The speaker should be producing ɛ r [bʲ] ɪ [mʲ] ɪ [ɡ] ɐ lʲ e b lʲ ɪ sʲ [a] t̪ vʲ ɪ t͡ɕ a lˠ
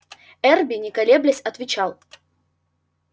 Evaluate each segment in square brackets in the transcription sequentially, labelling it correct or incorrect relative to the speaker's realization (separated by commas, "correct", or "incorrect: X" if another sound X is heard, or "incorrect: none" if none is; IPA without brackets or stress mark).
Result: correct, incorrect: nʲ, incorrect: k, incorrect: ɐ